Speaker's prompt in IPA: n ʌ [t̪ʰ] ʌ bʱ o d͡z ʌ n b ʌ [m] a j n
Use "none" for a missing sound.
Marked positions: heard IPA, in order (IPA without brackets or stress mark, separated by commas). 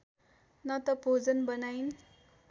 t̪, n